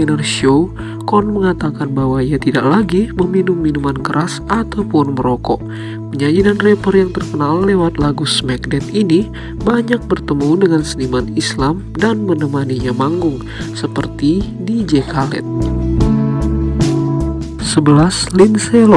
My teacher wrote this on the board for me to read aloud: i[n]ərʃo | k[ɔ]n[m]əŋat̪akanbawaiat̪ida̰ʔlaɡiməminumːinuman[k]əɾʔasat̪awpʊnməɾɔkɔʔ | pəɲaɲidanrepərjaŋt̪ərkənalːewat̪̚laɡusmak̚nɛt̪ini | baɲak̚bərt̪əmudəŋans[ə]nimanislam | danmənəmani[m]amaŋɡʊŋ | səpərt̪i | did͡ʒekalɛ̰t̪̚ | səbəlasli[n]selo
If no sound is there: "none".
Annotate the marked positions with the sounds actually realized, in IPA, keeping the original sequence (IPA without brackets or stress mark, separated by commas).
n, ɔ, m, k, ə, ɲ, n